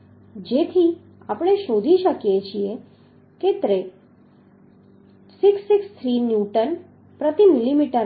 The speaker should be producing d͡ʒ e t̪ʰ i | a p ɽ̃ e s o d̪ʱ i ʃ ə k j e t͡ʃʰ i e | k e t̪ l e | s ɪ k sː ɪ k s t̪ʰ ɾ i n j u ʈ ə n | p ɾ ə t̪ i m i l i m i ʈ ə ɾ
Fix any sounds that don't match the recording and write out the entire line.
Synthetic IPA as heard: d͡ʒ e t̪ʰ i | a p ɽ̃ e ʃ o d̪ʱ i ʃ ə k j e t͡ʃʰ i e | k e t̪ ɾ e | s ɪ k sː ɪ k s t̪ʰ ɾ i n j u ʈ ə n | p ɾ ə t̪ i m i l i m i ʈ ə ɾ